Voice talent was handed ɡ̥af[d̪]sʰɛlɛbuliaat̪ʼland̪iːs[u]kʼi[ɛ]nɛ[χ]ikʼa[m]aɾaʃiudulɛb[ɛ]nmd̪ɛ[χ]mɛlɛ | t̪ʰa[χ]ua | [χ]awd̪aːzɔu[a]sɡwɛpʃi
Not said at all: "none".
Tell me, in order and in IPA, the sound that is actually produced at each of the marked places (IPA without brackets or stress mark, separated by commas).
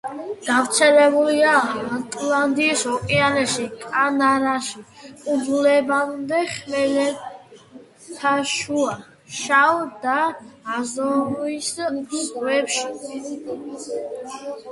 t̪, ɔ, a, ʃ, n, a, χ, ʃ, ʃ, i